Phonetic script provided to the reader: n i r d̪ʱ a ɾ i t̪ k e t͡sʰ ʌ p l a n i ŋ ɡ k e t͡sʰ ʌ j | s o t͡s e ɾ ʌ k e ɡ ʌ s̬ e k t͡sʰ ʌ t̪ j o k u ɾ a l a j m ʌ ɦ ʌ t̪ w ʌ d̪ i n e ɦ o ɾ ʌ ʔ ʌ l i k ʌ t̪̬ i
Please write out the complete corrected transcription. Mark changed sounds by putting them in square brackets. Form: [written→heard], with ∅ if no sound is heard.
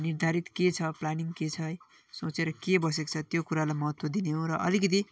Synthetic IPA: n i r d̪ʱ a ɾ i t̪ k e t͡sʰ ʌ p l a n i ŋ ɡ k e t͡sʰ ʌ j | s o t͡s e ɾ ʌ k e [ɡ→b] ʌ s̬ e k t͡sʰ ʌ t̪ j o k u ɾ a l a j m ʌ ɦ ʌ t̪ w ʌ d̪ i n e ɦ o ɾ ʌ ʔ ʌ l i k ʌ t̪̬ i